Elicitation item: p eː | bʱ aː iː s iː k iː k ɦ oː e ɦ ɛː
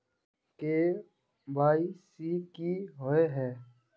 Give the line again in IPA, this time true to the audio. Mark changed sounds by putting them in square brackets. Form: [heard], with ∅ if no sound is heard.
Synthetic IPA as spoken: [k] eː | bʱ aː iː s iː k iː [∅] ɦ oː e ɦ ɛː